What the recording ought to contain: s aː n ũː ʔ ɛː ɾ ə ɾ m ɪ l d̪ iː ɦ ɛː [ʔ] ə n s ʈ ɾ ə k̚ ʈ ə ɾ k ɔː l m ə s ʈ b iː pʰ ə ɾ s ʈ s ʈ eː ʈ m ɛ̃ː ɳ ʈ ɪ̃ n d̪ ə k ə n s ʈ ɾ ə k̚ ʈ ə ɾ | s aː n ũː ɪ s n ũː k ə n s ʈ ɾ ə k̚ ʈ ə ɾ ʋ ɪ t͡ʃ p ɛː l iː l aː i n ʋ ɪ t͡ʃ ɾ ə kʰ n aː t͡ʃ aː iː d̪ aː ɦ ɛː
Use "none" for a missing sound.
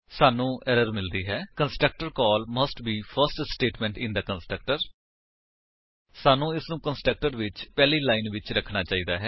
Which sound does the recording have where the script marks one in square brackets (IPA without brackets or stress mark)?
k